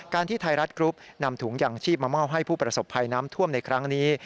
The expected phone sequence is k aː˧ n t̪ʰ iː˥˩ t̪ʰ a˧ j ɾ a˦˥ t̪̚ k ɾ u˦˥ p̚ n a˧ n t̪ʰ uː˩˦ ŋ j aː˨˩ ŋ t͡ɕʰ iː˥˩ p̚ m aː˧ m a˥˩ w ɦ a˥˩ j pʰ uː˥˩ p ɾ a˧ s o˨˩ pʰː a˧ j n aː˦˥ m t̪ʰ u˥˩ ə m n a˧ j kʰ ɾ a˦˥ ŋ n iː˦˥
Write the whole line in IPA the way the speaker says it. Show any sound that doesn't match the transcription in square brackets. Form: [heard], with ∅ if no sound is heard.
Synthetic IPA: k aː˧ n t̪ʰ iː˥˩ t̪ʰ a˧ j ɾ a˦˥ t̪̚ k ɾ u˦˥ p̚ n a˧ [m] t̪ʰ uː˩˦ ŋ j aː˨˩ ŋ t͡ɕʰ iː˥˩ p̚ m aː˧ m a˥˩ w ɦ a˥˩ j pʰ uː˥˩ p ɾ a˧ s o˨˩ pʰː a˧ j n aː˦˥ m t̪ʰ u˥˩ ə m n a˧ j kʰ ɾ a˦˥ ŋ n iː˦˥